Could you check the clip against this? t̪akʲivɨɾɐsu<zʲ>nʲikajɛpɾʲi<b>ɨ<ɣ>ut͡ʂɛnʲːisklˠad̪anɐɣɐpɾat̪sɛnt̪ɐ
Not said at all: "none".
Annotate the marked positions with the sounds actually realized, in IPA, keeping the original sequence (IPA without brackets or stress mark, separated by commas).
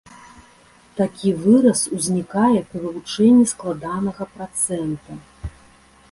zʲ, v, v